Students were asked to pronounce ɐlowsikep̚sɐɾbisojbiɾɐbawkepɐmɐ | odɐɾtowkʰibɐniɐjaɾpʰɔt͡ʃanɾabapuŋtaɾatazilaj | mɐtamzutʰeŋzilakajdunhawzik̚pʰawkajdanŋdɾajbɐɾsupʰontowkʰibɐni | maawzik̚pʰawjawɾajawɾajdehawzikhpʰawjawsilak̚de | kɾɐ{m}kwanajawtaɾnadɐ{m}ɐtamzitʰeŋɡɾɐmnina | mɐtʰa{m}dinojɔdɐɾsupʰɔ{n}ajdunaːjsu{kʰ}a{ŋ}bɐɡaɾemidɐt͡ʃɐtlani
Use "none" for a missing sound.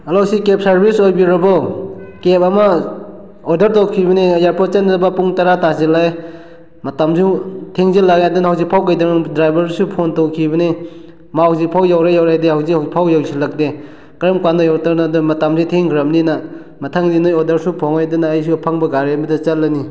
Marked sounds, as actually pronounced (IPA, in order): m, m, ŋ, ŋ, pʰ, ŋ

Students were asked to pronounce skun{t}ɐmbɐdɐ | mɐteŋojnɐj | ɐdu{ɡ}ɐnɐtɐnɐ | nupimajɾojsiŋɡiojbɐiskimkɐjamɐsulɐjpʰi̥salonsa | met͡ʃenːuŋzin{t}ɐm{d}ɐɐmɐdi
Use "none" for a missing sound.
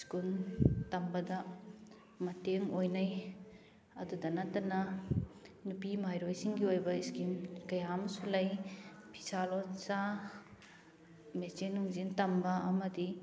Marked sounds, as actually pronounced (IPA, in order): t, d, t, b

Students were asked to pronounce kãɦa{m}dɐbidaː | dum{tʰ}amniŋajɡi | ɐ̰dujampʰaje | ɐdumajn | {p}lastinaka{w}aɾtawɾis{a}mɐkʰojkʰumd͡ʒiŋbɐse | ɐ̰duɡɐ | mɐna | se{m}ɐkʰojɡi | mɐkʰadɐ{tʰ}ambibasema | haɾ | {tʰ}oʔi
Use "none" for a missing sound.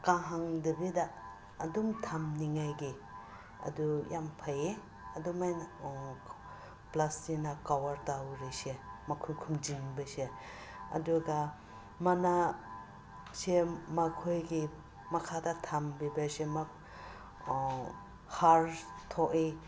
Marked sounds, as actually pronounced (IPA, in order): ŋ, tʰ, p, w, e, m, tʰ, tʰ

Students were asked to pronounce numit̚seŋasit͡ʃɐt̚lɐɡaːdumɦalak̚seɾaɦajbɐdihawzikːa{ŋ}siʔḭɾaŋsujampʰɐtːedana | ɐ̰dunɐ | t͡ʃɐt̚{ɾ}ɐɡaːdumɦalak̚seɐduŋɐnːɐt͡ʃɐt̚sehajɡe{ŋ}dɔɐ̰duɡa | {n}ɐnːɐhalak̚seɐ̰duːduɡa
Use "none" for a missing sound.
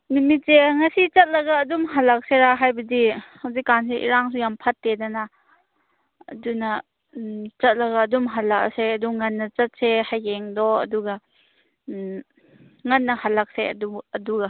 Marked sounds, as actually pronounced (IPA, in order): n, l, ŋ, ŋ

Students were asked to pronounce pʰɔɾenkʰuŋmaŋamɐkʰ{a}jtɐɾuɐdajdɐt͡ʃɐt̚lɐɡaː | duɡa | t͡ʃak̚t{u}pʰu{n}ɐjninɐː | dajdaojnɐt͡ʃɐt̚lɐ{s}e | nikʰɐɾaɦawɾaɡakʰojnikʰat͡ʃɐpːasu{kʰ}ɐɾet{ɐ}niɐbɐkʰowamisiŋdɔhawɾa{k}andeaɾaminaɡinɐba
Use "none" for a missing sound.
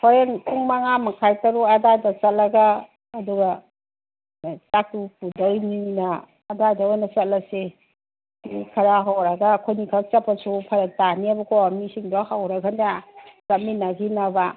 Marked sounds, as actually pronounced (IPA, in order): a, u, d, s, pʰ, a, ɡ

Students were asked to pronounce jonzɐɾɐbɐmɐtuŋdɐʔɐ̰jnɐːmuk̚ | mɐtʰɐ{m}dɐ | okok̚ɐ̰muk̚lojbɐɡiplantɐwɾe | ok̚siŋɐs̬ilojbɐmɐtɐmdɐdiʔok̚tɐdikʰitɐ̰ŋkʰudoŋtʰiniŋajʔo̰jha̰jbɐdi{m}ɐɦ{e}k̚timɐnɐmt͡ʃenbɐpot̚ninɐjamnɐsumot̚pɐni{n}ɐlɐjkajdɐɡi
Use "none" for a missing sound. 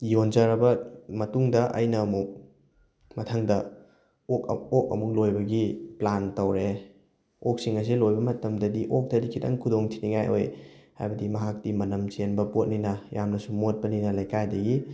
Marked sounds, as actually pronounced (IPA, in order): ŋ, m, a, n

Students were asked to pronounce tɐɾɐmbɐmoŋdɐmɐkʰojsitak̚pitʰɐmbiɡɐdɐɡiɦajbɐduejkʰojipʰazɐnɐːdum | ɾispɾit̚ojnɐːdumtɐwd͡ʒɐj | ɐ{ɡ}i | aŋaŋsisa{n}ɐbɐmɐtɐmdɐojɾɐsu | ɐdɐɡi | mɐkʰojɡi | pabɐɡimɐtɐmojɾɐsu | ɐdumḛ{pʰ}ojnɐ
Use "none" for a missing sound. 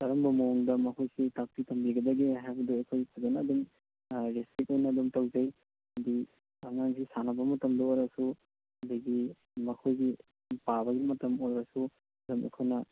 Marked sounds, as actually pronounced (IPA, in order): d, n, kʰ

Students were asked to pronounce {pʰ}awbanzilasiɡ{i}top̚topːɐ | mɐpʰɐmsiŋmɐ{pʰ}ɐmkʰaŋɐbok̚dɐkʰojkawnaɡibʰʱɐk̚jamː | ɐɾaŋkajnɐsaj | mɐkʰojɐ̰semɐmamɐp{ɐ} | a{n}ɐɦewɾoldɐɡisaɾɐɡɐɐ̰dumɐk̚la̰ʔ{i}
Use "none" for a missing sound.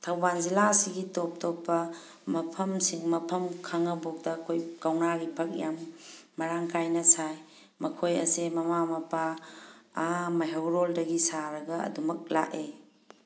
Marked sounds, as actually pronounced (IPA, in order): tʰ, i, pʰ, a, m, e

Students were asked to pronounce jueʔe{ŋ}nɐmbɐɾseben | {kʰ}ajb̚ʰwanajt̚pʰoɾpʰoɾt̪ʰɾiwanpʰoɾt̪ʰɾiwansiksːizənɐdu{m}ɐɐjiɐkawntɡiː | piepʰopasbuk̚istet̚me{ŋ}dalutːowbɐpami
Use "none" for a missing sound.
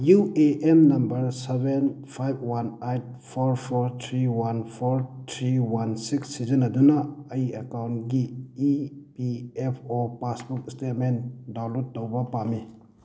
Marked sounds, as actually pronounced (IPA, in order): m, pʰ, n, n

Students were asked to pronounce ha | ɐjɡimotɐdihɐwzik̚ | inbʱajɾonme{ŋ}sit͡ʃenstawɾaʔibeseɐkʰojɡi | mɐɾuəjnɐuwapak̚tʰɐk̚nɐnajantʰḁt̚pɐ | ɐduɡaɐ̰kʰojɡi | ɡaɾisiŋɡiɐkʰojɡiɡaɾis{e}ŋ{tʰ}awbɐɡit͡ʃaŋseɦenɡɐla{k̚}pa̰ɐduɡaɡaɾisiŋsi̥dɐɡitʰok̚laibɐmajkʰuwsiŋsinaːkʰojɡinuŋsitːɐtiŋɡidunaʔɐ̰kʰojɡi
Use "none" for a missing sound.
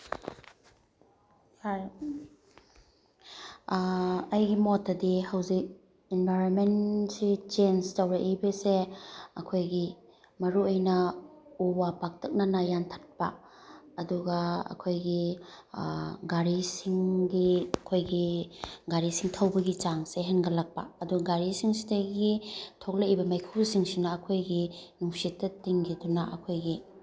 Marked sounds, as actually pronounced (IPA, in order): n, i, tʰ, k̚

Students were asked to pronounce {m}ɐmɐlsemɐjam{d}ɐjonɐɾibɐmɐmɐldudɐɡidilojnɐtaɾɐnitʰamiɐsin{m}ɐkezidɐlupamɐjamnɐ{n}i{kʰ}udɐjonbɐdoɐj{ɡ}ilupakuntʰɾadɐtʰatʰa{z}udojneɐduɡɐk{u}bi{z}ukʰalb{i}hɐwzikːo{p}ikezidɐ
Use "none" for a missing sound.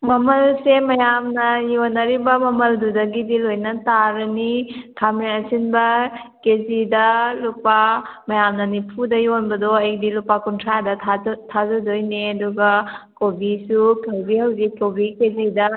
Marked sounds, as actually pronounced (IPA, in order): m, n, b, n, pʰ, d, z, o, s, i, b

